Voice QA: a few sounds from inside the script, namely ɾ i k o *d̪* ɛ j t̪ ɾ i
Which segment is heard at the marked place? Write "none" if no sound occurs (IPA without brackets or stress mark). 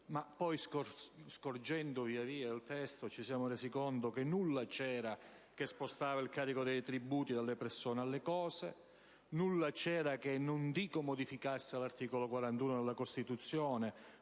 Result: d̪